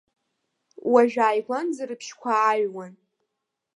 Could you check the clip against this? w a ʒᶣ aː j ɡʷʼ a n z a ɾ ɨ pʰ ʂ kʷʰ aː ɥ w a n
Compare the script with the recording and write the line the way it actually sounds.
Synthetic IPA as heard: w a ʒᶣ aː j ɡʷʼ a n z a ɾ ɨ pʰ ʃ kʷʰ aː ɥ w a n